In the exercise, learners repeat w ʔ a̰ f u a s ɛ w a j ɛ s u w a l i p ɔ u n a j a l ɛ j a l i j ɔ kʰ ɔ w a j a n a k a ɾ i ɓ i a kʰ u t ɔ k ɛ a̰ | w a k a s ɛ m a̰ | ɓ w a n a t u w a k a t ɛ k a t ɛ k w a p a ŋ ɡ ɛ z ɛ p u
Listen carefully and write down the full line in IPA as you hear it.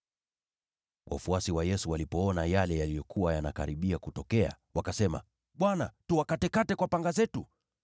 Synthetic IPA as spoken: w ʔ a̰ f u a s i w a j ɛ s u w a l i p ɔ ɔ n a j a l ɛ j a l i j ɔ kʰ u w a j a n a k a ɾ i ɓ i a k u t ɔ k ɛ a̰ | w a k a s ɛ m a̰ | ɓ w a n a t u w a k a t ɛ k a t ɛ k w a p a ŋ ɡ a z ɛ t u